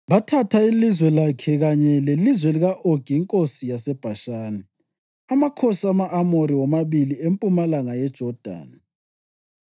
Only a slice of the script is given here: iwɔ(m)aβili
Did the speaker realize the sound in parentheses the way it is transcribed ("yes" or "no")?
yes